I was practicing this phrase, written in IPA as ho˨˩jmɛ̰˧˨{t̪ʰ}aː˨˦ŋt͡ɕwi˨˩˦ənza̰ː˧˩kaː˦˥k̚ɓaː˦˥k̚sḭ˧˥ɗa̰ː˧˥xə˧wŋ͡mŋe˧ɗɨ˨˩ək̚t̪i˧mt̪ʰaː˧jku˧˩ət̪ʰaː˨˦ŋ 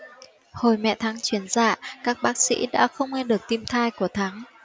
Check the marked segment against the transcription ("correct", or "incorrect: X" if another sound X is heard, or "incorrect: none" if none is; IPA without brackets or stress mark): correct